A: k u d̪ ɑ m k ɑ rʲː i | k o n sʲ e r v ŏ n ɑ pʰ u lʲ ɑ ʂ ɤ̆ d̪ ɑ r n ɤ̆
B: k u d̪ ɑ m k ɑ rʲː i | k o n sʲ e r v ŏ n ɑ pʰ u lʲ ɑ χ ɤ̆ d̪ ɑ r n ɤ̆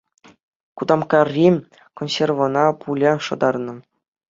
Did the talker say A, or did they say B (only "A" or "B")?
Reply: A